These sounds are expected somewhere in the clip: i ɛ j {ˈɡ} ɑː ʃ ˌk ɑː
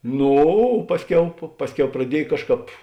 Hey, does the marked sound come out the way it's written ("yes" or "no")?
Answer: no